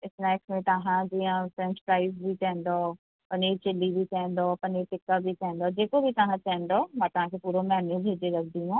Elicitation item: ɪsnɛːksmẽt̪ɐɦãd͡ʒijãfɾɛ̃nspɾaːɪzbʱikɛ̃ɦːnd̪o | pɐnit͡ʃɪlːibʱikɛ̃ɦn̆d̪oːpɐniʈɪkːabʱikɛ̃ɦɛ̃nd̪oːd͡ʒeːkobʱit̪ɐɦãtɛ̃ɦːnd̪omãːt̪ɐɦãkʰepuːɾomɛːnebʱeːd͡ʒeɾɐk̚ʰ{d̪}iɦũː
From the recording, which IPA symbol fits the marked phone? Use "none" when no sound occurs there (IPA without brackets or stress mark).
d̪